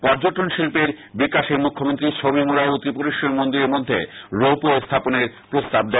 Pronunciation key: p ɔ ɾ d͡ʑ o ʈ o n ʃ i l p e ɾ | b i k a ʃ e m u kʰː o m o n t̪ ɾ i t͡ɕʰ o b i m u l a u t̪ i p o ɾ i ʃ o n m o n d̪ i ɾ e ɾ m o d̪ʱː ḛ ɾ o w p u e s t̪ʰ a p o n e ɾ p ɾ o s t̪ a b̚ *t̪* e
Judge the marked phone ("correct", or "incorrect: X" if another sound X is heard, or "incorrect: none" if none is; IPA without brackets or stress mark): incorrect: d̪